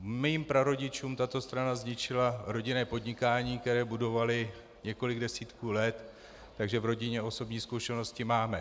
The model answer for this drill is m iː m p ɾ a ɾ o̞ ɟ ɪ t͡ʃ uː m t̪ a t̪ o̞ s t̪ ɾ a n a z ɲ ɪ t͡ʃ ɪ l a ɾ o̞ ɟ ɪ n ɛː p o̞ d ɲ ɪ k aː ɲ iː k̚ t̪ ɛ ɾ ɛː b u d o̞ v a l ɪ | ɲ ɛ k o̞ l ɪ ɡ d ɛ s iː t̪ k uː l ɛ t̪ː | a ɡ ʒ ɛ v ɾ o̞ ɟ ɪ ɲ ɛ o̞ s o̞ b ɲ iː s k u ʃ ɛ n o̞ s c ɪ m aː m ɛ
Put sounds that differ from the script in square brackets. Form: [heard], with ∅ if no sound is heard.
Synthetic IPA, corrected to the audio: m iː m p ɾ a ɾ o̞ ɟ ɪ t͡ʃ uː m t̪ a t̪ o̞ s t̪ ɾ a n a z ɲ ɪ t͡ʃ ɪ l a ɾ o̞ ɟ ɪ n ɛː p o̞ d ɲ ɪ k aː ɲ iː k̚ t̪ ɛ ɾ ɛː b u d o̞ v a l ɪ | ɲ ɛ k o̞ l ɪ ɡ d ɛ s iː t̪ k uː l ɛ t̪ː | a ɡ ʒ ɛ v ɾ o̞ ɟ ɪ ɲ ɛ o̞ s o̞ b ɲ iː s k u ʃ ɛ n o̞ s c ɪ m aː m ɛ

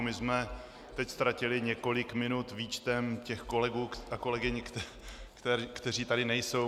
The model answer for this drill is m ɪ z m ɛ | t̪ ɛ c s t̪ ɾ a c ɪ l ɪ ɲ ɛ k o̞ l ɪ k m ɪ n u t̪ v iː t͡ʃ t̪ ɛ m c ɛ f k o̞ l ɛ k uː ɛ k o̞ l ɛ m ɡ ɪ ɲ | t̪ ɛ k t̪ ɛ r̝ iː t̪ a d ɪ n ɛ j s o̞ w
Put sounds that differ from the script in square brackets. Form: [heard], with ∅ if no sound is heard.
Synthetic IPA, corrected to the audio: m ɪ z m ɛ | t̪ ɛ c s t̪ ɾ a c ɪ l ɪ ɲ ɛ k o̞ l ɪ k m ɪ n u t̪ v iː t͡ʃ t̪ ɛ m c ɛ [x] k o̞ l ɛ [ɡ] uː [a] k o̞ l ɛ [∅] ɡ ɪ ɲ | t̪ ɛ k t̪ ɛ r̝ iː t̪ a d ɪ n ɛ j s o̞ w

